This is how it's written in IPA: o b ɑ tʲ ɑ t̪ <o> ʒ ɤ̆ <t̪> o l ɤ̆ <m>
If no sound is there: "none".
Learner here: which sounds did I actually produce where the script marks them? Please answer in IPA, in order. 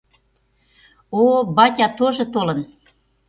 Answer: o, t̪, n

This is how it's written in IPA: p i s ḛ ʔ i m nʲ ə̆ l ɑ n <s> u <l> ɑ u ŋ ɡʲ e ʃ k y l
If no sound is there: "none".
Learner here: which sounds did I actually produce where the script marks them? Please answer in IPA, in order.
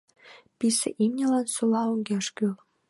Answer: s, l

